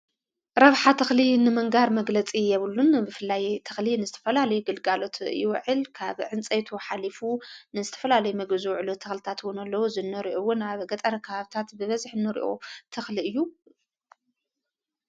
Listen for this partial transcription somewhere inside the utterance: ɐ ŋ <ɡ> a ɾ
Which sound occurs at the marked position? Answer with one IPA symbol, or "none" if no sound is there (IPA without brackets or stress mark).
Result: ɡ